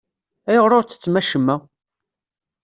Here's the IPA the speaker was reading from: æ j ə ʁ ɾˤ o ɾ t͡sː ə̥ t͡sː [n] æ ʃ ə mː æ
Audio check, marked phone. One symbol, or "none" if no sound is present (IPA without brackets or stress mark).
m